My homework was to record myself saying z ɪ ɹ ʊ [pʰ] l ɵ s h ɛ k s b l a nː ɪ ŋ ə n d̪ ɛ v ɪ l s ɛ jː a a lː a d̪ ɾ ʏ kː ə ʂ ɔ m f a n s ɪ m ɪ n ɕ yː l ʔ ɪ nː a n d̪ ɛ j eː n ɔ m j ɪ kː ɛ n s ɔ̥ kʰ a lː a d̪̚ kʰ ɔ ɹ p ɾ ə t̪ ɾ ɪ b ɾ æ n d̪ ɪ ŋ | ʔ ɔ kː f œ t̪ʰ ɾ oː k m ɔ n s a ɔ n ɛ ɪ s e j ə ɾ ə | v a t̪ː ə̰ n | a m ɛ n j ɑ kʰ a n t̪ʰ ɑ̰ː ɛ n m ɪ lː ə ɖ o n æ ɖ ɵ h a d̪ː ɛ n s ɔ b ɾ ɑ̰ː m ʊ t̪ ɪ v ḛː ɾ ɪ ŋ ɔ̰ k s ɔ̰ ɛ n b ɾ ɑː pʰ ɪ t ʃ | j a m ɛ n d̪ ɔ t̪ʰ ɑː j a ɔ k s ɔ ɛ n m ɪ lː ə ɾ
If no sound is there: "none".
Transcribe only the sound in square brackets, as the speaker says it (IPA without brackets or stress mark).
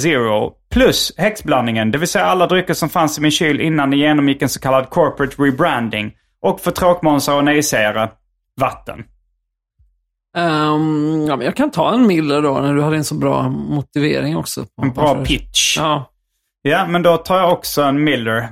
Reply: pʰ